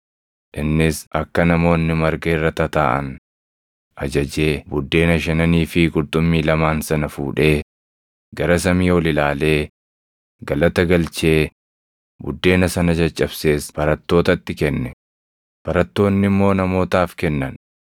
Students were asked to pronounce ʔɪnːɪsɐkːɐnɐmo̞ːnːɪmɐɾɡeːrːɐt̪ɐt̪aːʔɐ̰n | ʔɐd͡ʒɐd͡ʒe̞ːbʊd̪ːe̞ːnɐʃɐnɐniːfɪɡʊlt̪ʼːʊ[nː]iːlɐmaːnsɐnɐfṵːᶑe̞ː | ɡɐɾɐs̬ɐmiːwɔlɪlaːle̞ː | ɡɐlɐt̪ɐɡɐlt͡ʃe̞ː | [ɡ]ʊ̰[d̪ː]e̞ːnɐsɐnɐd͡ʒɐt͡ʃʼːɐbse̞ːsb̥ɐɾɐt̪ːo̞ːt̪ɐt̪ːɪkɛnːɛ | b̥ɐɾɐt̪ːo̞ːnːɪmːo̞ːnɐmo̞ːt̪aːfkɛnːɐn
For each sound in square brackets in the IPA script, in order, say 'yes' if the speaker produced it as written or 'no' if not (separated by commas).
no, no, yes